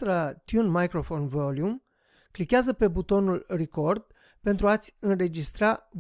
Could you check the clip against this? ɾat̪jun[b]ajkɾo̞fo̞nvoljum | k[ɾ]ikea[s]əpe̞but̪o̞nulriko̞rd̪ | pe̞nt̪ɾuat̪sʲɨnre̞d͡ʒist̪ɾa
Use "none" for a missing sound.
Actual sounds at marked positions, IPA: m, l, z

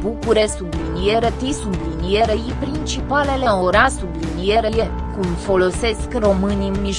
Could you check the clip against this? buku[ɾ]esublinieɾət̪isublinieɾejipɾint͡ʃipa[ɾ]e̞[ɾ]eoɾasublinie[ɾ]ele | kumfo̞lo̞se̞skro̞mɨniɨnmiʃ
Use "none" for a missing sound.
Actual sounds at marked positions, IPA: ɾ, l, l, ɾ

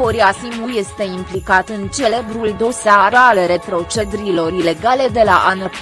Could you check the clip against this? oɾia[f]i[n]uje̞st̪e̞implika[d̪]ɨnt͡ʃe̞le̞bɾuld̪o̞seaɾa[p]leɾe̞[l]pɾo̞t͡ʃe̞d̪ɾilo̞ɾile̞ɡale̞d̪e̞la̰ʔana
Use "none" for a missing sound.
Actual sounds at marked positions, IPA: s, m, t̪, none, none

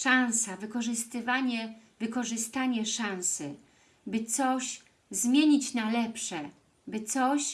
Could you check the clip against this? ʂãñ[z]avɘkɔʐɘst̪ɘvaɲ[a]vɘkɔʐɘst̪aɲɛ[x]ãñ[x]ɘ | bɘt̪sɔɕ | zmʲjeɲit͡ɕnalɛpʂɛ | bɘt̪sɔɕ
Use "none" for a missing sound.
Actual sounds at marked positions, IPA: s, ɛ, ʂ, s

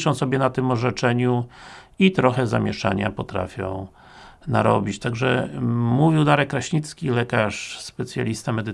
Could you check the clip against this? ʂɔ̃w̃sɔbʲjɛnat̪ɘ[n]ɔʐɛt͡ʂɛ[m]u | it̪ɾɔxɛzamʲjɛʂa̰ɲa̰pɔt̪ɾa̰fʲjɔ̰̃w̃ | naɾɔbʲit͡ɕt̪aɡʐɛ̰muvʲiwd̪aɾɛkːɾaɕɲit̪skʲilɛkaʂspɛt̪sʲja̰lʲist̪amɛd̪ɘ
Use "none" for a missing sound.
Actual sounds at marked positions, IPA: m, ɲ

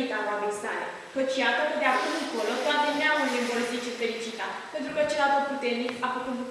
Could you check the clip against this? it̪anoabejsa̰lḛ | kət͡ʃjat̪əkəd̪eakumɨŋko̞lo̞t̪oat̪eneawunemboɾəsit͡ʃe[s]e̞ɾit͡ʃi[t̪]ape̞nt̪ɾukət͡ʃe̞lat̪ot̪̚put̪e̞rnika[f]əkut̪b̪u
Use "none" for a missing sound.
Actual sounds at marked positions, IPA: f, t̪, f

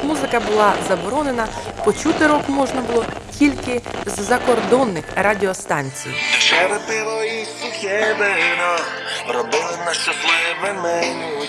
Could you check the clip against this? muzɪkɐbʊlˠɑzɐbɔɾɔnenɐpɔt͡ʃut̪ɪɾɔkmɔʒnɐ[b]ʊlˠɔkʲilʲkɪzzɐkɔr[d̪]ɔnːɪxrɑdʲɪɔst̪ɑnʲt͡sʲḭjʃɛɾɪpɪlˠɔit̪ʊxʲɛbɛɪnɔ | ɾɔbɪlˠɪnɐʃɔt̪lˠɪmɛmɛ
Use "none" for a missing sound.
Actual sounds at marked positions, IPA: b, d̪

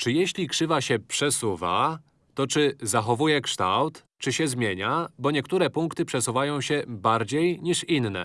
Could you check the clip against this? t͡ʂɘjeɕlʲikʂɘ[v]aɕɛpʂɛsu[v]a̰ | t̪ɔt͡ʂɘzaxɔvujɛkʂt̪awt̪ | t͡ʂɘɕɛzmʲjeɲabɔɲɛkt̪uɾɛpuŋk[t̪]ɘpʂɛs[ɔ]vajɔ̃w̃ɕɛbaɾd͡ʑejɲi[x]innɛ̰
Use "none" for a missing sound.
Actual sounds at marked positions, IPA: v, v, t̪, u, ʂ

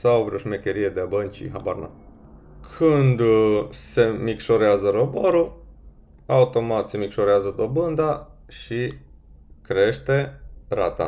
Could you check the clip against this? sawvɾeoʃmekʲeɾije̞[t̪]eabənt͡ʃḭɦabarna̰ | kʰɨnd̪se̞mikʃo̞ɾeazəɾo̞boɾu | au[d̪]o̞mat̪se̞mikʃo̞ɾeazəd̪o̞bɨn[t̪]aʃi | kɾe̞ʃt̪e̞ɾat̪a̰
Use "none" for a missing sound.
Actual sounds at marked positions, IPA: d̪, t̪, d̪

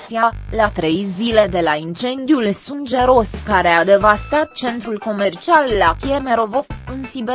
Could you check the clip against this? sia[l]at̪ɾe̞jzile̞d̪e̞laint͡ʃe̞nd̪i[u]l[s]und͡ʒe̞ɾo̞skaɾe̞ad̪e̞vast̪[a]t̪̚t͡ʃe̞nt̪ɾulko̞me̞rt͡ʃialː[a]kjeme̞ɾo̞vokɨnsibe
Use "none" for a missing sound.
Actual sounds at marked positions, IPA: l, u, s, a, a

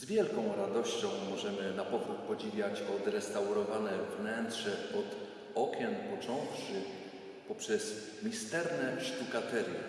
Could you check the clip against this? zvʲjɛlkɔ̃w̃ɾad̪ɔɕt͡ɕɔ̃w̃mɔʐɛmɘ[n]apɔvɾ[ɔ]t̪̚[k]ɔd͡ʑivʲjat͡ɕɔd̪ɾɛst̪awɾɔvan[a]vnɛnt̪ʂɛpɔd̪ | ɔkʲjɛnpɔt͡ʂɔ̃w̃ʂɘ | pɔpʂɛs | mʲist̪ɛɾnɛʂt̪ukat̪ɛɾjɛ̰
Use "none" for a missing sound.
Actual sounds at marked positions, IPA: n, u, p, ɛ

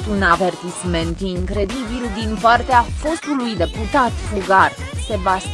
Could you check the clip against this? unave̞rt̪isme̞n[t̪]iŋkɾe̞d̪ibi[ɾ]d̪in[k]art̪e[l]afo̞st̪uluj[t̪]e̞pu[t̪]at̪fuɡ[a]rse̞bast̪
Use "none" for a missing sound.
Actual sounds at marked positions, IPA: t̪, l, p, none, d̪, t̪, a

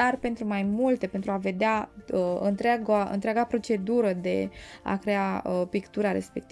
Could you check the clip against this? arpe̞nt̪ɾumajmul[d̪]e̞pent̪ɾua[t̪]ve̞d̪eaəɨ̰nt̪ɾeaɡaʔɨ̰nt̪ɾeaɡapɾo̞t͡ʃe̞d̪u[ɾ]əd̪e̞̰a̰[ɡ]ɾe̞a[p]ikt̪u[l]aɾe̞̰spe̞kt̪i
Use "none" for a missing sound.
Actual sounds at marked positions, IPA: t̪, none, ɾ, k, p, ɾ

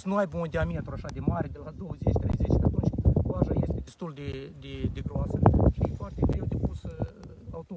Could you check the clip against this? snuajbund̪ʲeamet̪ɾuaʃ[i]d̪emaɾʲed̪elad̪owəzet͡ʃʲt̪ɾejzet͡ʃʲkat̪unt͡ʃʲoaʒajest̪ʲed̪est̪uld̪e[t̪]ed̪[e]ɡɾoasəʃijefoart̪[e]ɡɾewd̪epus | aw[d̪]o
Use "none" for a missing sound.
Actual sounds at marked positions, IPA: a, d̪, e, e, t̪

